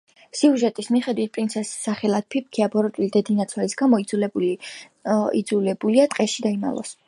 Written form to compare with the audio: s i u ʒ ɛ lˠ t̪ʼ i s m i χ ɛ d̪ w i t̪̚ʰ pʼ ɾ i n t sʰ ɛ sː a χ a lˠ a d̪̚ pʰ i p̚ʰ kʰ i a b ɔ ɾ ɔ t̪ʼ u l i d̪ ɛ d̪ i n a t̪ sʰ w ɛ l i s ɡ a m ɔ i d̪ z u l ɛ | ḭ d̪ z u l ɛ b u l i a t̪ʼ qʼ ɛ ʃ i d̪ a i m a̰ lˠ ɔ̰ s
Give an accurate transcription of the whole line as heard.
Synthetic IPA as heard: s i u ʒ ɛ t̪ʼ i s m i χ ɛ d̪ w i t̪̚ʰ pʼ ɾ i n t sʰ ɛ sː a χ ɛ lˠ a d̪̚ pʰ i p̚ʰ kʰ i a b ɔ ɾ ɔ t̪ʼ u l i d̪ ɛ d̪ i n a t̪ sʰ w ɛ l i s ɡ a m ɔ i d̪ z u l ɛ | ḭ d̪ z u l ɛ b u l i a t̪ʼ qʼ ɛ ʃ i d̪ a i m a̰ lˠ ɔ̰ s